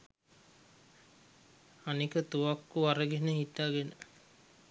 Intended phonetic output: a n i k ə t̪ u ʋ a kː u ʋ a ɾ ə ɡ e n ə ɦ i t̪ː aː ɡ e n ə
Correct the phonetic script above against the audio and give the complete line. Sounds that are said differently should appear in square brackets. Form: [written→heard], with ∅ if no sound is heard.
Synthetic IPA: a n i k ə t̪ u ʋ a kː u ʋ a ɾ ə ɡ e n ə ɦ i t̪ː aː ɡ e n ə